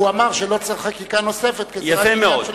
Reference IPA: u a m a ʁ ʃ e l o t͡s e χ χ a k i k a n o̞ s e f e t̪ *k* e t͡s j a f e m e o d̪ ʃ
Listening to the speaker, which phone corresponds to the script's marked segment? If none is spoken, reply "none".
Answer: k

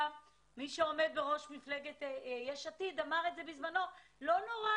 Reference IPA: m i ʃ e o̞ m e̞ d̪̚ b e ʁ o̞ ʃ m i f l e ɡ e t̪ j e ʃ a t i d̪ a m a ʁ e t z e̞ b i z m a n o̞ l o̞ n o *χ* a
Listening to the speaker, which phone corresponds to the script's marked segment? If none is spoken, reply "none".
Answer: ʁ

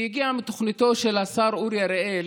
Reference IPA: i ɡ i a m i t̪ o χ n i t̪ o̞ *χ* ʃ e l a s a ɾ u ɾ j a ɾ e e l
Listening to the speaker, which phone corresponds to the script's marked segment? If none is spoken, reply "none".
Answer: none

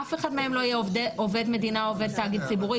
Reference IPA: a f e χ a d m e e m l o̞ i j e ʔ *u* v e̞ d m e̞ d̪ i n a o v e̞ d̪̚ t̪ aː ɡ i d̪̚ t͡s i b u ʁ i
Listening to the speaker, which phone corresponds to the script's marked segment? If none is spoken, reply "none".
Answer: o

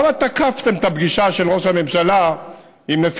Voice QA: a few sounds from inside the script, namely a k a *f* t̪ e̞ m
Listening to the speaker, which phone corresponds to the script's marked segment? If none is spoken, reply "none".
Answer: f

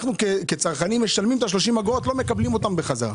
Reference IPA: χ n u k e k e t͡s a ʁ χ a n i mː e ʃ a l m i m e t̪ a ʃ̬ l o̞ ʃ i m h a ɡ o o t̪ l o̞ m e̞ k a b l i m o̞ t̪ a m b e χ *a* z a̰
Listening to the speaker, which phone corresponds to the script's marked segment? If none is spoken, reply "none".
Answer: a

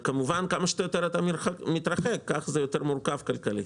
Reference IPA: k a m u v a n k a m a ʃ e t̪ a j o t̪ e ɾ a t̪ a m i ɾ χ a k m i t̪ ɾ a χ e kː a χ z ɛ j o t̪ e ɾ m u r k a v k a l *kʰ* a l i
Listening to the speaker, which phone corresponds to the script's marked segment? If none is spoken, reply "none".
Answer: k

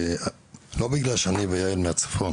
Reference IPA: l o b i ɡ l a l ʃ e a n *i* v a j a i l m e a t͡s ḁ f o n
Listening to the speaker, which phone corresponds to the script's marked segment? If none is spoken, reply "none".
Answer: i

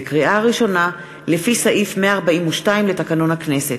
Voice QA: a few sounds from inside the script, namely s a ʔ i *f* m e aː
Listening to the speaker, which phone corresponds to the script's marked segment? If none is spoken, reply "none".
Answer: f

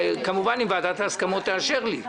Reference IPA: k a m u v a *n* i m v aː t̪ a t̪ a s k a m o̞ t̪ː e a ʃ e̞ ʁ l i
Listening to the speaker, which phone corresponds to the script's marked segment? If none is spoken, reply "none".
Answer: n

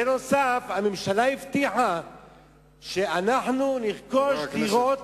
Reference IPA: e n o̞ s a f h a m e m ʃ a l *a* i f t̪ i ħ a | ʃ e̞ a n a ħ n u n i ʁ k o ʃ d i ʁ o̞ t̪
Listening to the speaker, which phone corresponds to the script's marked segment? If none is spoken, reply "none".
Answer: a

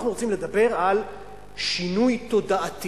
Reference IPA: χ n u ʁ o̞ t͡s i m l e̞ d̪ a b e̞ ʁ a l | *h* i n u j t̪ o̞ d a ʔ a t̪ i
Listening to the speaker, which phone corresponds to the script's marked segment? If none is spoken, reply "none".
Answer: ʃ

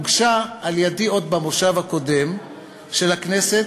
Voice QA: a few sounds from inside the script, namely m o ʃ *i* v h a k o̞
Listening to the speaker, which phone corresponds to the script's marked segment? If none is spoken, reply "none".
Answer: a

